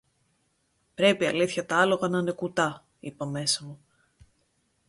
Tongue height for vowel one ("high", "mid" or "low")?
mid